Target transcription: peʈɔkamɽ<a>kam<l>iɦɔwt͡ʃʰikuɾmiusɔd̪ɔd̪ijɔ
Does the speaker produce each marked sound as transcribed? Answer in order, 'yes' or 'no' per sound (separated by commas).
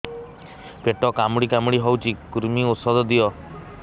no, no